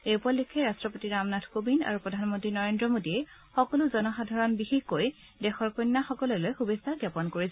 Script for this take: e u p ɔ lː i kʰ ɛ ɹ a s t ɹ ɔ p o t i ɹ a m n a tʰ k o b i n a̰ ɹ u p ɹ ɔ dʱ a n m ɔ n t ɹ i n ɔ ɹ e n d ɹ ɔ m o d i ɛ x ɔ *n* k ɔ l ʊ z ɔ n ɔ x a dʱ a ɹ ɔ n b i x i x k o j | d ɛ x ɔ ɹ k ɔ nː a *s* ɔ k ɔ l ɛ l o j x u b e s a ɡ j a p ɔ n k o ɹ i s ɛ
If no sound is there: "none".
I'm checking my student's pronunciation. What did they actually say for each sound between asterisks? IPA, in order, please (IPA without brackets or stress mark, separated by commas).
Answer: none, x